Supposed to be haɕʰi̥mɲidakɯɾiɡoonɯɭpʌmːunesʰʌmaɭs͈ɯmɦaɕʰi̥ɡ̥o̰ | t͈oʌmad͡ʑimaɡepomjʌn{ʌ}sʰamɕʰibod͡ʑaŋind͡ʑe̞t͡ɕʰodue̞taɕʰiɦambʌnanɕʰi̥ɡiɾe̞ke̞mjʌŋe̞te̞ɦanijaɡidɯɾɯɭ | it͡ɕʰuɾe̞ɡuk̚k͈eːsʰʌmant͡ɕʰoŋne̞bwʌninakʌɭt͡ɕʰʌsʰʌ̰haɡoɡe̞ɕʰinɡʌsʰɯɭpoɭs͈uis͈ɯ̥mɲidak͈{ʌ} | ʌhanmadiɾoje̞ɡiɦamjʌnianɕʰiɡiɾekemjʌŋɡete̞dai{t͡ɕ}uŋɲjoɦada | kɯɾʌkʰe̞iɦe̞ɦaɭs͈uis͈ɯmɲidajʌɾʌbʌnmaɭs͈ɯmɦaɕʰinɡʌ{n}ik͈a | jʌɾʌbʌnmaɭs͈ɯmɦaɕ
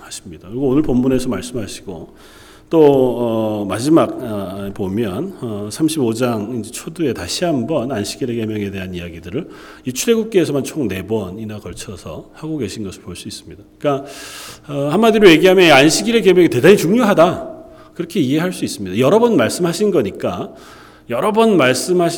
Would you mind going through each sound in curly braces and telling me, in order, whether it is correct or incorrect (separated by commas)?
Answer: correct, incorrect, correct, incorrect